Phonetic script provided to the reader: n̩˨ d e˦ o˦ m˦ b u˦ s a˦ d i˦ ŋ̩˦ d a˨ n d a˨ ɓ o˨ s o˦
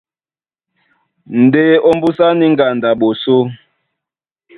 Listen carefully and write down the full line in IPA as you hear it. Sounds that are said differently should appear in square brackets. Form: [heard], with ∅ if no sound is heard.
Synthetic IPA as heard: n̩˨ d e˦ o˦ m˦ b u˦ s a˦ [n] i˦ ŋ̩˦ [ɡ] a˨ n d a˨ ɓ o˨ s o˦